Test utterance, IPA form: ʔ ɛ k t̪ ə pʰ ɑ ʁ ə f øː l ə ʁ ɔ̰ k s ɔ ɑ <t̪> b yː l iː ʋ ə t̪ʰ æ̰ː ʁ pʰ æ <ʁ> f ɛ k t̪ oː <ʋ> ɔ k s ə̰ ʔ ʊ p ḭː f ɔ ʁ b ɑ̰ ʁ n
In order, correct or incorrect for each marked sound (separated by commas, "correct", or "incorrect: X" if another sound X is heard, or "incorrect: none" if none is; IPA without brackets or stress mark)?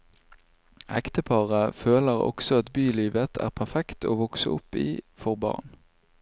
correct, correct, correct